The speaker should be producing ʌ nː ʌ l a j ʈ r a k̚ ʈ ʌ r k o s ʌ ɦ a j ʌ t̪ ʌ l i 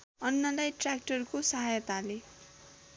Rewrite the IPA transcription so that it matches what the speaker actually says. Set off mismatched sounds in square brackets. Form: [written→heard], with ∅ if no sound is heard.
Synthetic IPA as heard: ʌ nː ʌ l a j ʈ r a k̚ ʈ ʌ r k o s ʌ ɦ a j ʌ t̪ [ʌ→a] l [i→e]